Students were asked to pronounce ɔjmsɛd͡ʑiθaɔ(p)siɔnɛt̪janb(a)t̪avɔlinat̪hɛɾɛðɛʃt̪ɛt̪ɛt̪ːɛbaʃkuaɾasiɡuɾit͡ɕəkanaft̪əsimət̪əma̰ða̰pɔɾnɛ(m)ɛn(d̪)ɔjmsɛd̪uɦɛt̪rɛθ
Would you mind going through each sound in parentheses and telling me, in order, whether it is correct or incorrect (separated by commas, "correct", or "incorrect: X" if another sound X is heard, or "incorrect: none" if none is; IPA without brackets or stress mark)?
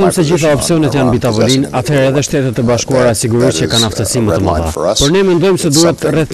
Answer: correct, incorrect: i, correct, correct